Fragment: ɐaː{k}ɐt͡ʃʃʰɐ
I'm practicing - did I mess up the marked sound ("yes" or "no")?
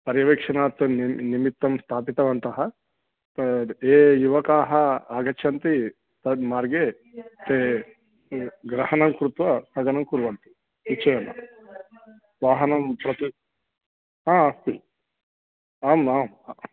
yes